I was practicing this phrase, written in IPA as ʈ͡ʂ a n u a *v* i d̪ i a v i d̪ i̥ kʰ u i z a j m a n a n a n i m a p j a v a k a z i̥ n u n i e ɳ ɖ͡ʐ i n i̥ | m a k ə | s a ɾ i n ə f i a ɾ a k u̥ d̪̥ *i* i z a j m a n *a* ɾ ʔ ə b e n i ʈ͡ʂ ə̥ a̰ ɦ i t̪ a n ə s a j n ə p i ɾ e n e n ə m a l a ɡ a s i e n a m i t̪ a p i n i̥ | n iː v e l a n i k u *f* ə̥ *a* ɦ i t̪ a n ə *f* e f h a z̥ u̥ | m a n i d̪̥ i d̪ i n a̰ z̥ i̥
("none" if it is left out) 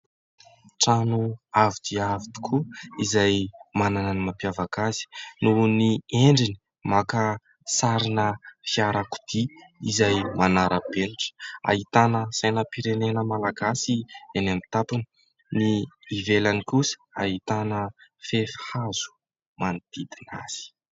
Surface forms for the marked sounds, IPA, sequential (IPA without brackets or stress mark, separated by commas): v, i, a, s, a, f